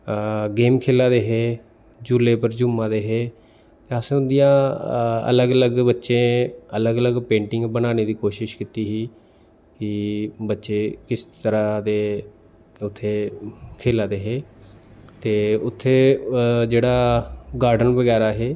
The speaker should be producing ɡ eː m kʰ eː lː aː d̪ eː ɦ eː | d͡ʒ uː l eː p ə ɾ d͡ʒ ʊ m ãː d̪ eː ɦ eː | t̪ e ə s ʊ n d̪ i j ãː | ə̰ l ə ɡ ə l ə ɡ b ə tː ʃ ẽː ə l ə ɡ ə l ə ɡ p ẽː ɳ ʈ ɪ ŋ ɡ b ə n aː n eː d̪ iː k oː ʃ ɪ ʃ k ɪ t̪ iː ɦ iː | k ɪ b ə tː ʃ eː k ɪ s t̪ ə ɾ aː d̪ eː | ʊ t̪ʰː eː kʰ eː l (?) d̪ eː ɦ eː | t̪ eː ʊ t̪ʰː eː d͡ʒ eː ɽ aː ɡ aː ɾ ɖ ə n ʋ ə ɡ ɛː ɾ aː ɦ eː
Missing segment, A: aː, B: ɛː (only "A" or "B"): A